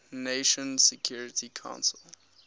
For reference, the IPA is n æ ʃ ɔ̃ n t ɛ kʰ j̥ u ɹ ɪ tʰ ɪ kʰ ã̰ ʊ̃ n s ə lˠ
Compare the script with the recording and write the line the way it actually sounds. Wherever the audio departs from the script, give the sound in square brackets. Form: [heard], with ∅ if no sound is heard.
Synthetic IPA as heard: n [e] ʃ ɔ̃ n [s] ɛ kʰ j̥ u ɹ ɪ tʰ [i] kʰ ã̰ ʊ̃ n s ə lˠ

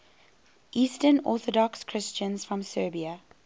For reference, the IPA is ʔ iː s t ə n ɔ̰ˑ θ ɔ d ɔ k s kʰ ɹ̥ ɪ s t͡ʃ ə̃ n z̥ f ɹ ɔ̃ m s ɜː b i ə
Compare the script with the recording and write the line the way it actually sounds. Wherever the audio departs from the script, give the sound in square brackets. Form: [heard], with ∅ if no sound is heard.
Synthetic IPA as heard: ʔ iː s t ə n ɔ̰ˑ θ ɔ d ɔ k s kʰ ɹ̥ ɪ s t͡ʃ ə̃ n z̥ f ɹ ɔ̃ m s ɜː b i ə

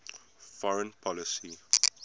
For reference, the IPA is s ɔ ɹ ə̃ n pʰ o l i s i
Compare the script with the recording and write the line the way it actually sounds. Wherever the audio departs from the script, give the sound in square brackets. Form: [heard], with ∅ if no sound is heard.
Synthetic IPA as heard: [f] ɔ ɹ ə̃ n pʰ [ɔ] l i s i

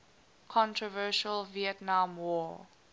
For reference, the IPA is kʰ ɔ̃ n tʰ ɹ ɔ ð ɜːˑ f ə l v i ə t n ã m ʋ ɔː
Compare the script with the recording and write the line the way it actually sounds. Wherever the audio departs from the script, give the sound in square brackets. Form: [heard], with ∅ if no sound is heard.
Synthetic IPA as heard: kʰ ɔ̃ n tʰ ɹ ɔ [v] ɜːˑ [ʃ] ə l v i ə t n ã m [w] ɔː

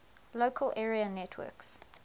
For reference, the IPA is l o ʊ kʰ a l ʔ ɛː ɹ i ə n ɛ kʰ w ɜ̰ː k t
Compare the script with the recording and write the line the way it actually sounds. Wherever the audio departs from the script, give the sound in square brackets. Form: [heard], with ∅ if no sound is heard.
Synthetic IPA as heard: l o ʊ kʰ [ə] l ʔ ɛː ɹ i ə n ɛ [tʰ] w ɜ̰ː k [s]

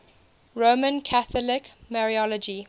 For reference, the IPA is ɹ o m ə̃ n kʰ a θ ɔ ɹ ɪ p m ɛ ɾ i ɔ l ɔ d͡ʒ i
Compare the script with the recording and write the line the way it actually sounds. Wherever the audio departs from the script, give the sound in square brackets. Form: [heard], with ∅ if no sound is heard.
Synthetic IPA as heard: ɹ o m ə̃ n kʰ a θ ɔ [l] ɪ [k] m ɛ [ɹ] i ɔ l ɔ d͡ʒ i

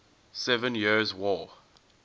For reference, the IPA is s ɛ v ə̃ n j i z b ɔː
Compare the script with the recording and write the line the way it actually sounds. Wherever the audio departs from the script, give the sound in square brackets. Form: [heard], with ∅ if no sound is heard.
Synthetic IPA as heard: s ɛ v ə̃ n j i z [w] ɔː

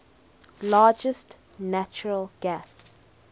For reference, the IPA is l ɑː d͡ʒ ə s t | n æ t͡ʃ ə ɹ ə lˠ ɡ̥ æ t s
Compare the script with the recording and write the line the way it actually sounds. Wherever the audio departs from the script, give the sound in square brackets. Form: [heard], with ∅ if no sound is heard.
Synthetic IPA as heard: l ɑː d͡ʒ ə s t | n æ t͡ʃ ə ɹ ə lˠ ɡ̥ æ [∅] s

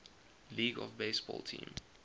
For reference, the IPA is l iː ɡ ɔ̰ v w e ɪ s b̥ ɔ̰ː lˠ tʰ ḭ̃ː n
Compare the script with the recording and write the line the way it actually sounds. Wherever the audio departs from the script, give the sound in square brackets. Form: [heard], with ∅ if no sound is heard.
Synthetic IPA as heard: l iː ɡ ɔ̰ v [b] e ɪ s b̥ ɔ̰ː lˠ tʰ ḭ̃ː [m]

